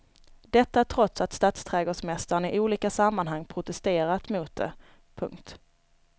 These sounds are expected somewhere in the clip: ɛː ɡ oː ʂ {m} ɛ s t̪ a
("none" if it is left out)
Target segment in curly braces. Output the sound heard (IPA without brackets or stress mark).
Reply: m